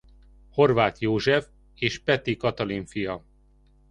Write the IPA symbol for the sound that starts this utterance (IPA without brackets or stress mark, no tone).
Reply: h